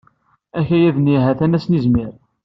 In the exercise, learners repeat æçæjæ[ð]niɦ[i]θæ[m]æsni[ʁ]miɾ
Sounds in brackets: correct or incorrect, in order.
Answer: correct, incorrect, incorrect, incorrect

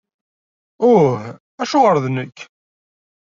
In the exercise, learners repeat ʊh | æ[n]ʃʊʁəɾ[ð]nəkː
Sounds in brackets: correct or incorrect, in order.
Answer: incorrect, correct

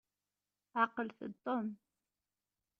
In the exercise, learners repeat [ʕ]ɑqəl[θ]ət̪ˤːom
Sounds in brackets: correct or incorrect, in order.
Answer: correct, correct

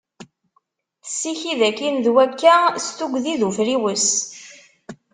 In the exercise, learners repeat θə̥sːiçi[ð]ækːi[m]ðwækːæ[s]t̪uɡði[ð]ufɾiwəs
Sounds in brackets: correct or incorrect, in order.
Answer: correct, incorrect, correct, correct

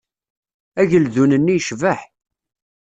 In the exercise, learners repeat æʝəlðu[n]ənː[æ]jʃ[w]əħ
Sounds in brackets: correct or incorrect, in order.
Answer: correct, incorrect, incorrect

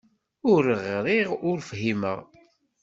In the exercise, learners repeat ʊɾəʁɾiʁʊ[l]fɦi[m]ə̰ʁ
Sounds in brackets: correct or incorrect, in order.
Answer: incorrect, correct

